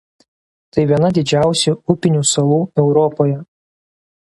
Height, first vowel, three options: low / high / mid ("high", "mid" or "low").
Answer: low